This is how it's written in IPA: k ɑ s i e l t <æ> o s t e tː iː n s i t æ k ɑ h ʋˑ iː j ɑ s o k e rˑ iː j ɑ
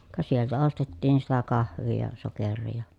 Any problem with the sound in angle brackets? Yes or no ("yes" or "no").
no